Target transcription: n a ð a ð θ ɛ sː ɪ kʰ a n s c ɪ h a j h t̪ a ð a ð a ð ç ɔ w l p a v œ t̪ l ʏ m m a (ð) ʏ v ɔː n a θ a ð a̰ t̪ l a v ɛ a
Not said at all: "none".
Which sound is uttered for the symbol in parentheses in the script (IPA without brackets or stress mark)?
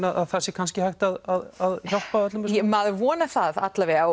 ð